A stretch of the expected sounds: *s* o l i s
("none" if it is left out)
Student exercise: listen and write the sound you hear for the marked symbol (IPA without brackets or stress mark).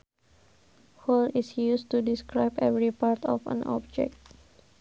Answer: h